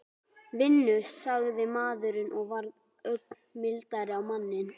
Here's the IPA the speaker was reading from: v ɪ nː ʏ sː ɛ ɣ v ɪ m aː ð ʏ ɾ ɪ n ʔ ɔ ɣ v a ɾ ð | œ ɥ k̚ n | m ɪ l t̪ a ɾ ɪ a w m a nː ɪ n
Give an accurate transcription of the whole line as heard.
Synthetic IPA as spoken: v ɪ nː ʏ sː a ɣ ð ɪ m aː ð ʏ ɾ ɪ n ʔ ɔ ɣ v a ɾ ð | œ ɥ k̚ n | m ɪ l t̪ a ɾ ɪ a w m a nː ɪ n

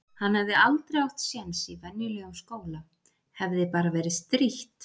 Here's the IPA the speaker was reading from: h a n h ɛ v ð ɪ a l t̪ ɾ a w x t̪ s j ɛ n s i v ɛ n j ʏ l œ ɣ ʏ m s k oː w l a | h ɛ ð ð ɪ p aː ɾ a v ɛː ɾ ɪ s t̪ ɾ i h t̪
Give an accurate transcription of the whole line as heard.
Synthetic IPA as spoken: h a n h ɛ v ð ɪ a l t̪ ɾ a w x t̪ s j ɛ n s i v ɛ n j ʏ l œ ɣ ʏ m s k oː w l a | h ɛ v ð ɪ p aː ɾ a v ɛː ɾ ɪ s t̪ ɾ i h t̪

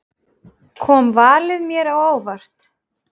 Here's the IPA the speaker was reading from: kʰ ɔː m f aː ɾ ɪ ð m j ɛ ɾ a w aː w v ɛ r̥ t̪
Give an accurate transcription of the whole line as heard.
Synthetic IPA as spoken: kʰ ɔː m v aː l ɪ ð m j ɛ ɾ a w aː w v a r̥ t̪

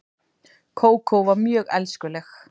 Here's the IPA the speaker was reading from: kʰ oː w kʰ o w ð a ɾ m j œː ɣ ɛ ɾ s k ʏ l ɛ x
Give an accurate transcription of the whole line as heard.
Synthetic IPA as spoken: kʰ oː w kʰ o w v a ɾ m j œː ɣ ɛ l s k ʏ l ɛ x

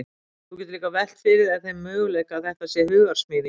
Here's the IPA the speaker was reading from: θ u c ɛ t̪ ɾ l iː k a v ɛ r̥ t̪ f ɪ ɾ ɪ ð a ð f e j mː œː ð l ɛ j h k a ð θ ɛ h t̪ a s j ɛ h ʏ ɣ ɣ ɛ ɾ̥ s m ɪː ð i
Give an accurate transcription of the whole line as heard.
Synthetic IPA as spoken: θ u c ɛ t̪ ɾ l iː k a v ɛ l̥ t̪ f ɪ ɾ ɪ ð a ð θ e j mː œː ɣ l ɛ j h k a ð θ ɛ h t̪ a s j ɛ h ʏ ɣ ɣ a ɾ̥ s m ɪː ð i

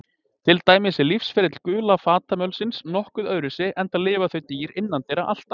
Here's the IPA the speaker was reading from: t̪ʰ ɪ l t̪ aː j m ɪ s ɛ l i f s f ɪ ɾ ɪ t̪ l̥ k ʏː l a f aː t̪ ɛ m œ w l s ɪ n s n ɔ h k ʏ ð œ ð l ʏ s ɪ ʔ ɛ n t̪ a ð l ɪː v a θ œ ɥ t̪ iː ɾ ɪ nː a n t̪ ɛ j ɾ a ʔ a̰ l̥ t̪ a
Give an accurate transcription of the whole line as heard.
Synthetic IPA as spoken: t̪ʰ ɪ l t̪ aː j m ɪ s ɛ l i f s f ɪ ɾ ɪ t̪ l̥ k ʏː l a f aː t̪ a m œ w l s ɪ n s n ɔ h k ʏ ð œ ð ɾ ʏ s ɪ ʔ ɛ n t̪ a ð l ɪː v a θ œ ɥ t̪ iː ɾ ɪ nː a n t̪ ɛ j ɾ a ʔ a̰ l̥ t̪ a

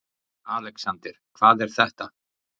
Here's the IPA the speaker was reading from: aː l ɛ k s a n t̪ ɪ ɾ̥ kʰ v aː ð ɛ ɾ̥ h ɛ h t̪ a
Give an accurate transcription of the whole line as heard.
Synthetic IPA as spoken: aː l ɛ k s a n t̪ ɪ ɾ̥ kʰ v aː ð ɛ ɾ̥ θ ɛ h t̪ a

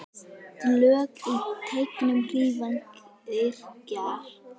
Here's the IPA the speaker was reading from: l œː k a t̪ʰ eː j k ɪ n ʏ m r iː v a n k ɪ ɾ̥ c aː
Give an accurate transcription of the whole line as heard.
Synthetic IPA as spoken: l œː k i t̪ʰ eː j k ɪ n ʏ m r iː v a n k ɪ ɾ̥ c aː

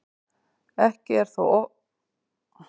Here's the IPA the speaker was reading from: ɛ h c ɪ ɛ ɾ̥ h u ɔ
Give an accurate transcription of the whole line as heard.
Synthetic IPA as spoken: ɛ h c ɪ ɛ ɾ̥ θ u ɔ

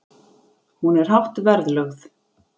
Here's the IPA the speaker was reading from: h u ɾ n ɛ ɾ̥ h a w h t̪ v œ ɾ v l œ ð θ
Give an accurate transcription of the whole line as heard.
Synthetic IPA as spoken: h u n ɛ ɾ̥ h a w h t̪ v ɛ ɾ ð l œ ɣ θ

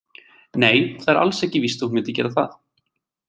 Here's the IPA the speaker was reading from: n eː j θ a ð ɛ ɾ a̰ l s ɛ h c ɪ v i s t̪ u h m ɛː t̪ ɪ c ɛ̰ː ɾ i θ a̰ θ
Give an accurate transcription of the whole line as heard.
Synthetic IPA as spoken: n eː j θ a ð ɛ ɾ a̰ l s ɛ h c ɪ v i s t̪ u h m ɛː t̪ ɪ c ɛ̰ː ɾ a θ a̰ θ

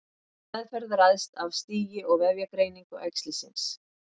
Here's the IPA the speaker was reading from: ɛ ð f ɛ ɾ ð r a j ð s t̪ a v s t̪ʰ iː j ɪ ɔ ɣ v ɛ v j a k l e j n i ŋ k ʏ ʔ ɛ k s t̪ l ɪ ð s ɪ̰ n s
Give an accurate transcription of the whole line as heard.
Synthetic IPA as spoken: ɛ ð f ɛ ɾ ð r a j ð s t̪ a v s t̪ iː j ɪ ɔ ɣ v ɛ v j a k ɾ e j n i ŋ k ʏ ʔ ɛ k s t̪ l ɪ s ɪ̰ n s

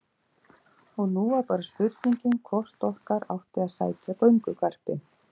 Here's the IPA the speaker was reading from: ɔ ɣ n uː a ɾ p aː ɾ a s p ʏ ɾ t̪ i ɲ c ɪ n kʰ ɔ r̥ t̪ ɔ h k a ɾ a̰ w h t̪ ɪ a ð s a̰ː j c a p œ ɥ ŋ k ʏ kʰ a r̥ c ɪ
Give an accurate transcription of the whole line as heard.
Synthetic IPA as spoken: ɔ ɣ n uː a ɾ p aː ɾ a s p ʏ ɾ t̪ i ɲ c ɪ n kʰ ɔ r̥ t̪ ɔ h k a ɾ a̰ w h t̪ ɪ a ð s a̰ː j c a p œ ɥ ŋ k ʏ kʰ a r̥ p ɪ

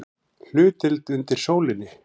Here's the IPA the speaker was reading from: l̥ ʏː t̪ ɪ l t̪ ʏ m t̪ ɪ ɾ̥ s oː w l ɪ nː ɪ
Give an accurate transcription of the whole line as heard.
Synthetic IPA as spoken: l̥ ʏː t̪ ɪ l t̪ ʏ n t̪ ɪ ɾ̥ s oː w l ɪ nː ɪ

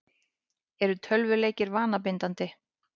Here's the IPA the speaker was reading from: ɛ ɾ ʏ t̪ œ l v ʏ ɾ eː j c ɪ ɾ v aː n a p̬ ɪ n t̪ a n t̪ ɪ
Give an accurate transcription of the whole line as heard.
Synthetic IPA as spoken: ɛ ɾ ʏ t̪ʰ œ l v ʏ l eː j c ɪ ɾ v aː n a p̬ ɪ n t̪ a n t̪ ɪ

